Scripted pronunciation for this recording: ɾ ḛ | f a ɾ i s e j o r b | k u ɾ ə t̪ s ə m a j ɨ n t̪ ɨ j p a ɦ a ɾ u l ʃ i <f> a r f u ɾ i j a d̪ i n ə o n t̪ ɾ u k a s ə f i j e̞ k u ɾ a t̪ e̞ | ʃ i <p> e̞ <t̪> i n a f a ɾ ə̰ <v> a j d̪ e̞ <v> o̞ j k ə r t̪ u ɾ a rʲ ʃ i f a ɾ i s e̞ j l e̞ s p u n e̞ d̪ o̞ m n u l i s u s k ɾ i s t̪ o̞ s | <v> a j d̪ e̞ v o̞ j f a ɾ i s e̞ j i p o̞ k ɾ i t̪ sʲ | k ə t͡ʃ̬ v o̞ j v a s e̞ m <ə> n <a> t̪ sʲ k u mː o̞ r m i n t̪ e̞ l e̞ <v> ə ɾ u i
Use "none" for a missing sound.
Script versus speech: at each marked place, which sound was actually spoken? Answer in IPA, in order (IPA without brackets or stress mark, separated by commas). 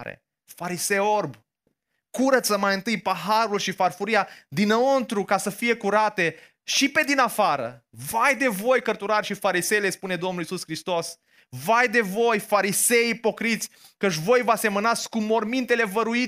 f, p, d̪, v, v, v, ə, a, v